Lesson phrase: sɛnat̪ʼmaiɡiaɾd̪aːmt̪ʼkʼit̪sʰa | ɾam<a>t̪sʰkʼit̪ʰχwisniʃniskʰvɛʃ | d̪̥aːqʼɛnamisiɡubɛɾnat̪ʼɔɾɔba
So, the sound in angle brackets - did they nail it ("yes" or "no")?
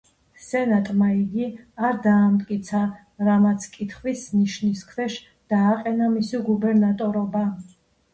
yes